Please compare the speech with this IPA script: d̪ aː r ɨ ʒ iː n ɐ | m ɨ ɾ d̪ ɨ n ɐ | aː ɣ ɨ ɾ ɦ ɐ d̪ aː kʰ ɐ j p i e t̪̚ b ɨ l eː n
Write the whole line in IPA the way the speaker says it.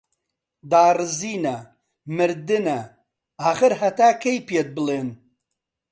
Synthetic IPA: d̪ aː r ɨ z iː n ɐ | m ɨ ɾ d̪ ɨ n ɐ | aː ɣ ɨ ɾ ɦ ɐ t̪ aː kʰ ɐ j p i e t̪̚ b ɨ l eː n

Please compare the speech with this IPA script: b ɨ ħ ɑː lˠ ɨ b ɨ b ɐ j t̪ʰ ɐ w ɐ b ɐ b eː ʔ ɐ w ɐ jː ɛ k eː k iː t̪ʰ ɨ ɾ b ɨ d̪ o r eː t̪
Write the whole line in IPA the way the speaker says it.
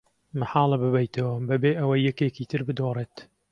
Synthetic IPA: m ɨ ħ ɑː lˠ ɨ b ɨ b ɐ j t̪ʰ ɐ w ɐ b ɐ b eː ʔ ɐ w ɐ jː ɛ k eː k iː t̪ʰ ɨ ɾ b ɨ d̪ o r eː t̪

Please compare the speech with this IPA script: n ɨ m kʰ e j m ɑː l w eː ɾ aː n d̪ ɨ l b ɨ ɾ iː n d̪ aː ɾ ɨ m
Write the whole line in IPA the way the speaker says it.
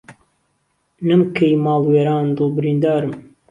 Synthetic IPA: n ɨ m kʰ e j m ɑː l w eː ɾ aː n d̪ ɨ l b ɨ ɾ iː n d̪ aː ɾ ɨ m

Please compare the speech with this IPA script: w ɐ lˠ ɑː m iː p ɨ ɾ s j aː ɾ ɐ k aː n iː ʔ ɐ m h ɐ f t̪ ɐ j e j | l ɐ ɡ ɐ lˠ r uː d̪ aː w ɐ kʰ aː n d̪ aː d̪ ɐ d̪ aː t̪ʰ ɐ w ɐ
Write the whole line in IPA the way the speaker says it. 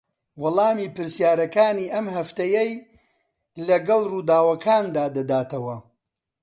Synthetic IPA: w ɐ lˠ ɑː m iː p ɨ ɾ s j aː ɾ ɐ k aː n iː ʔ ɐ m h ɐ f t̪ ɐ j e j | l ɐ ɡ ɐ lˠ r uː d̪ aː w ɐ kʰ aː n d̪ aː d̪ ɐ d̪ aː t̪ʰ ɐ w ɐ

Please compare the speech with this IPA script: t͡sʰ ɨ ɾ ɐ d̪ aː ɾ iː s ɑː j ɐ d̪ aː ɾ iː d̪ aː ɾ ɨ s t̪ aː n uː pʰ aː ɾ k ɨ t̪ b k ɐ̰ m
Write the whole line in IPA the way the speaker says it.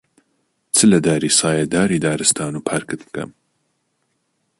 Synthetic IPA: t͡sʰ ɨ l ɐ d̪ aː ɾ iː s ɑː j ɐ d̪ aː ɾ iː d̪ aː ɾ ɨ s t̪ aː n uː pʰ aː ɾ k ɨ t̪ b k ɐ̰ m

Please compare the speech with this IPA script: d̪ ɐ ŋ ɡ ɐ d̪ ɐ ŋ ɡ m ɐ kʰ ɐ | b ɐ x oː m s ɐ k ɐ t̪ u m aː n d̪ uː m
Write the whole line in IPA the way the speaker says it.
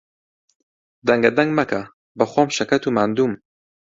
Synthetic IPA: d̪ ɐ ŋ ɡ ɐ d̪ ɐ ŋ ɡ m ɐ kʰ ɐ | b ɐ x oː m ʃ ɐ k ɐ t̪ u m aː n d̪ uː m

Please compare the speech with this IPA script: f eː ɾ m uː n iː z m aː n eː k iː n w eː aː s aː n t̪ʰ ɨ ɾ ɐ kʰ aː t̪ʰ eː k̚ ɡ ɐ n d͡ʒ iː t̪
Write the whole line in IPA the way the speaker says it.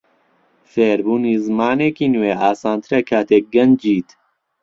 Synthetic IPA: f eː ɾ b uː n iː z m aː n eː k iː n w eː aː s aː n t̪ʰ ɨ ɾ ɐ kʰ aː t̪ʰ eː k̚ ɡ ɐ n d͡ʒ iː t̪

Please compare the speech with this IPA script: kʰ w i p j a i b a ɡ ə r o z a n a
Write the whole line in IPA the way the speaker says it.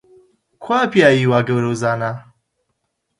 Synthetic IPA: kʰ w a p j a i w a ɡ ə ɾ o z a n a

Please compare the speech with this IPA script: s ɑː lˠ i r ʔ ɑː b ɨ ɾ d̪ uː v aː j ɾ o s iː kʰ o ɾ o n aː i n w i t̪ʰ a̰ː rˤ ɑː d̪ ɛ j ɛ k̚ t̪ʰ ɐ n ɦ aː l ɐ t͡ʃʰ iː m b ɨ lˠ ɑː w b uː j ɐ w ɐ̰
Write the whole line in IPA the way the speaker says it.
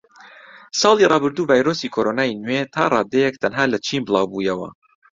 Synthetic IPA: s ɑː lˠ i r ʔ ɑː b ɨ ɾ d̪ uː v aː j ɾ o s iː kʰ o ɾ o n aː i n w e t̪ʰ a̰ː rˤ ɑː d̪ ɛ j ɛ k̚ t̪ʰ ɐ n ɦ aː l ɐ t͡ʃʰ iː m b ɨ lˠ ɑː w b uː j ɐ w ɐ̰

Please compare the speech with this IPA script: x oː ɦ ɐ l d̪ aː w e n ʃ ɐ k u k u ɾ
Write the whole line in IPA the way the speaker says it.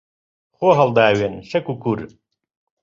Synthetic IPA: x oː ɦ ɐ l d̪ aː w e n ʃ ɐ k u k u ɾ

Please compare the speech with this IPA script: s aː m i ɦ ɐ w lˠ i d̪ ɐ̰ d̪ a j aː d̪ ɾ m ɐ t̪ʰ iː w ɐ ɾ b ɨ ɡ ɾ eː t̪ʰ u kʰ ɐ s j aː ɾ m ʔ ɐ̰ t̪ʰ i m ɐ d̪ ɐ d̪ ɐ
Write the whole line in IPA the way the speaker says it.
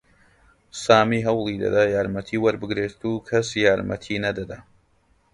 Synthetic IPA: s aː m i ɦ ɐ w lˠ i d̪ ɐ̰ d̪ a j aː ɾ m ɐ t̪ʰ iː w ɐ ɾ b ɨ ɡ ɾ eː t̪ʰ u kʰ ɐ s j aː ɾ m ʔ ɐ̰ t̪ʰ i n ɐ d̪ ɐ d̪ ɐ

